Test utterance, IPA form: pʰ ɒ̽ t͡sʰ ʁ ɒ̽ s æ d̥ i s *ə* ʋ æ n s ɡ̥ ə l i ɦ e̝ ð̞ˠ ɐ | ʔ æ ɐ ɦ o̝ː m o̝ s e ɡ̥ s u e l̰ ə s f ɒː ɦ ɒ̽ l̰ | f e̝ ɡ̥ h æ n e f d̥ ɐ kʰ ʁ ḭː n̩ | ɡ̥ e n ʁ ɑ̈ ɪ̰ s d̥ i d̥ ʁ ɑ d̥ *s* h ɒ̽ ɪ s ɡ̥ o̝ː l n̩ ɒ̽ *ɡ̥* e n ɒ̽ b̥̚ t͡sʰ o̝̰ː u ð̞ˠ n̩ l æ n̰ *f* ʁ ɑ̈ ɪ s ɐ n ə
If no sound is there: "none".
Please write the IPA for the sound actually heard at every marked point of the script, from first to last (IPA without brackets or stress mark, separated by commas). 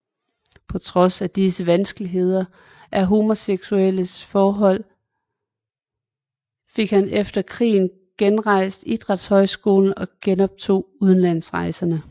ə, s, ɡ̥, s